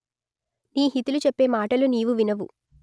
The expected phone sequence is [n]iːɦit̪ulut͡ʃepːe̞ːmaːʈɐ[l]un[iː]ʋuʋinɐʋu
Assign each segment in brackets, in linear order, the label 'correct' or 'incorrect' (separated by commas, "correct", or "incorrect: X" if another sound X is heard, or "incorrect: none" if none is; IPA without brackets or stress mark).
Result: correct, correct, correct